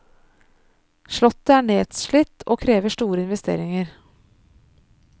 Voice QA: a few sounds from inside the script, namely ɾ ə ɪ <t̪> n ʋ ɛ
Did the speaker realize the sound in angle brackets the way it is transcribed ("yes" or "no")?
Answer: no